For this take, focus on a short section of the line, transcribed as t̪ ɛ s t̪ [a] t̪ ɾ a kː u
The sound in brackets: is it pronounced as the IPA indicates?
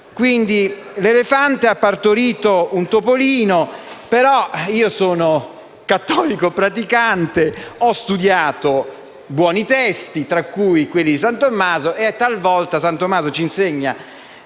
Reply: no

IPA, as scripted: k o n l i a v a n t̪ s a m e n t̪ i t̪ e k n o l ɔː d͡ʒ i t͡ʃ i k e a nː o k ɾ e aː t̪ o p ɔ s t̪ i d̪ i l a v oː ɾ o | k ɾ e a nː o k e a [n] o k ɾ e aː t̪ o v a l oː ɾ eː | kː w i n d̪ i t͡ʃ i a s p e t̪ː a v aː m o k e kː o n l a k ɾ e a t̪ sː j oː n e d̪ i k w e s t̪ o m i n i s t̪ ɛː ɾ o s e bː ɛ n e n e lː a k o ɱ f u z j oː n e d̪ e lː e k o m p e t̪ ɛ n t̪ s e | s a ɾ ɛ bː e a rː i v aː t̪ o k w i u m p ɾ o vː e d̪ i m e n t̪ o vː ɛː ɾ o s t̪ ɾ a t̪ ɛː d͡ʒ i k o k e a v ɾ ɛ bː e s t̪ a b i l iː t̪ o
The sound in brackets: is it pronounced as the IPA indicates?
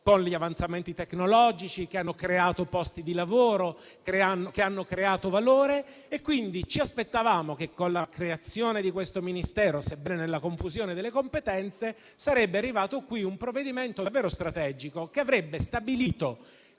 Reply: no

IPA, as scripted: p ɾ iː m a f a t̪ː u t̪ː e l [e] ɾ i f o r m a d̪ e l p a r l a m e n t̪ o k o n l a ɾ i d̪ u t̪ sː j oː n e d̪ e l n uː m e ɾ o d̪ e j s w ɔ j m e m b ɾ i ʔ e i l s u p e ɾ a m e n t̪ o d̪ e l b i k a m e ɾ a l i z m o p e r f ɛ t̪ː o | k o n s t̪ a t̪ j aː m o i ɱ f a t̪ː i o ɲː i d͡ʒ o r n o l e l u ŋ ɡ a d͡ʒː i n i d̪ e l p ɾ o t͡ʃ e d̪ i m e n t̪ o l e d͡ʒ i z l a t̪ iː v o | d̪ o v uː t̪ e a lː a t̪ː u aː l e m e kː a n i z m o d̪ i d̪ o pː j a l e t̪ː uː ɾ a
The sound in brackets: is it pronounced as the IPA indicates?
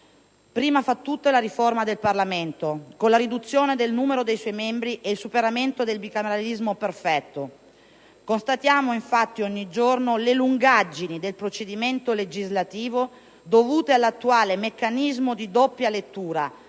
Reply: no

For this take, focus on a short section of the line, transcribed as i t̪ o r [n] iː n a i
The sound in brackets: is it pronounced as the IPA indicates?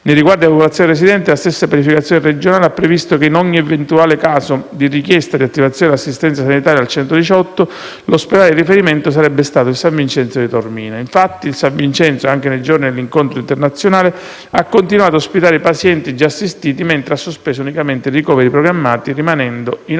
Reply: no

